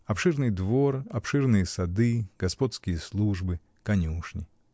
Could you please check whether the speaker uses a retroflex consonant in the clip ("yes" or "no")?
yes